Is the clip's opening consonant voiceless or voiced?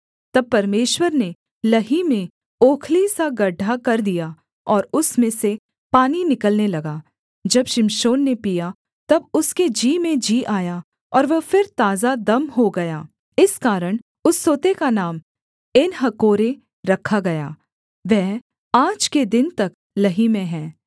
voiceless